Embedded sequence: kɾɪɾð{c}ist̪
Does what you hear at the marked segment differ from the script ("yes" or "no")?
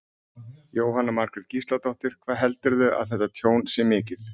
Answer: no